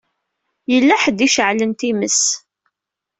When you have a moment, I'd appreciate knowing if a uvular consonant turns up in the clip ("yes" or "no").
no